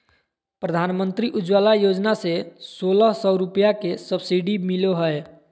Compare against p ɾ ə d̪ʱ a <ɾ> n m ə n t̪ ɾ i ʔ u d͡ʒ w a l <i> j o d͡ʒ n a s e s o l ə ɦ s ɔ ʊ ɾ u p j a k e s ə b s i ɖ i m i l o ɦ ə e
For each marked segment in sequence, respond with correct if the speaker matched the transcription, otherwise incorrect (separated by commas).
incorrect, incorrect